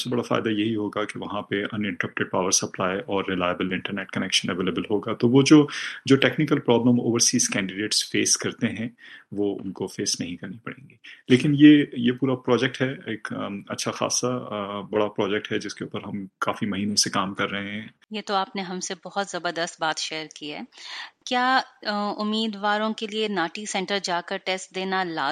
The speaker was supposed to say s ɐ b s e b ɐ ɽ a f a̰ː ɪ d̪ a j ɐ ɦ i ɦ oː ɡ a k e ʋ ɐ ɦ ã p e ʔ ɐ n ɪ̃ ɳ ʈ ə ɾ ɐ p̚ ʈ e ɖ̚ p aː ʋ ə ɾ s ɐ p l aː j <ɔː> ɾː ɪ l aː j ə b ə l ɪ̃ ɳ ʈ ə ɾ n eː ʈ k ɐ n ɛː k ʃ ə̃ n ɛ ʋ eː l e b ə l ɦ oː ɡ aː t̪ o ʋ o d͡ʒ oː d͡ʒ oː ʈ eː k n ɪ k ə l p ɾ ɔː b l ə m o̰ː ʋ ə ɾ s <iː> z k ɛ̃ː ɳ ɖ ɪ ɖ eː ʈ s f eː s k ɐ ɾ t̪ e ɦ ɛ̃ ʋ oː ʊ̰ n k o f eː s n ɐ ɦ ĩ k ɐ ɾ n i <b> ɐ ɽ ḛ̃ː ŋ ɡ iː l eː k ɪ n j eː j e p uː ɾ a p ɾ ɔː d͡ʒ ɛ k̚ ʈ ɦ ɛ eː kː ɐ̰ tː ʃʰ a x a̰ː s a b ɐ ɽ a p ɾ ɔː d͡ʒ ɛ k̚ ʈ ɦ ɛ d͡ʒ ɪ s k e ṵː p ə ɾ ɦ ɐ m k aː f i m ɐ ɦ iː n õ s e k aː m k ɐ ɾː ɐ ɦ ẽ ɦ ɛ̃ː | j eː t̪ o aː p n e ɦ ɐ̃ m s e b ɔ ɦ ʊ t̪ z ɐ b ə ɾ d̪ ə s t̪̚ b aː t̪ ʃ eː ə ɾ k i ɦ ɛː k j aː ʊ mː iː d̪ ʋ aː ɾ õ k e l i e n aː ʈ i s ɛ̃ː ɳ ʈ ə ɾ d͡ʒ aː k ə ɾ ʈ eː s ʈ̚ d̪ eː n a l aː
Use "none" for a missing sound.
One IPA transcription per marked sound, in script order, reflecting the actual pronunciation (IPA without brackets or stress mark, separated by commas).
ɔː, iː, p